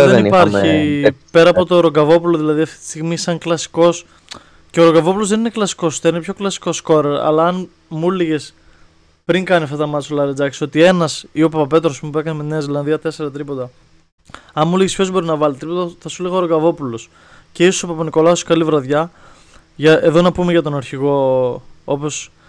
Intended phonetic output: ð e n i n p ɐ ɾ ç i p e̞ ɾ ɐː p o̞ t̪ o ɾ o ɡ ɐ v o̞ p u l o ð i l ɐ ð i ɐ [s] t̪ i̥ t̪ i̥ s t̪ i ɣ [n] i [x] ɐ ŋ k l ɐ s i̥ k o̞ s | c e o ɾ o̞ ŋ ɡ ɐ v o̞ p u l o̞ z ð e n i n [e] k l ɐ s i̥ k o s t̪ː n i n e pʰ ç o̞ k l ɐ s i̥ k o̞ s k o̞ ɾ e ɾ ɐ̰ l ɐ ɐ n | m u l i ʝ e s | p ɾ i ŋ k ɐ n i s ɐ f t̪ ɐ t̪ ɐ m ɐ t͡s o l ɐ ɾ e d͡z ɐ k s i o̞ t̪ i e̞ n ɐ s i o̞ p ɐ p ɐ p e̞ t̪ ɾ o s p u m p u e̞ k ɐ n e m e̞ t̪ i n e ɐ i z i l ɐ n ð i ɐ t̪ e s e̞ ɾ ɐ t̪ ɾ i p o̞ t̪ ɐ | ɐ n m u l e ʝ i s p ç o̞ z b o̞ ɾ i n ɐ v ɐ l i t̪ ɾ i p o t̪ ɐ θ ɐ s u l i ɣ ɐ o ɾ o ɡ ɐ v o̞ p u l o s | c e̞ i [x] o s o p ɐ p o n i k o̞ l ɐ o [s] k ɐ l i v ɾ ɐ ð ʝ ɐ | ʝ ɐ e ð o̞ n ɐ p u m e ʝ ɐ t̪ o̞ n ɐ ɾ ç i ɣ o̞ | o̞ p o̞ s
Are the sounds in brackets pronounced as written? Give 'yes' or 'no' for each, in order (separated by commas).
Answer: no, no, no, yes, no, yes